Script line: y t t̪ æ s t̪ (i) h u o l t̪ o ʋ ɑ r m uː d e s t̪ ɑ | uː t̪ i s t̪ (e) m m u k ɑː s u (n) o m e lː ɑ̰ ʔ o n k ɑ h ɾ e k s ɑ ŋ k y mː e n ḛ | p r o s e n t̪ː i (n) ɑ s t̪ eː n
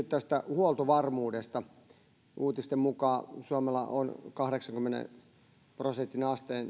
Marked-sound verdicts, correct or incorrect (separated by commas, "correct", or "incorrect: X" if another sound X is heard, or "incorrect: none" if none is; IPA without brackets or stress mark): incorrect: æ, correct, incorrect: none, correct